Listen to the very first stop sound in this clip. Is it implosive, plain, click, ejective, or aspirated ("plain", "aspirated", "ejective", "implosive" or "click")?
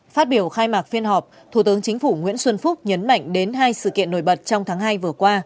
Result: plain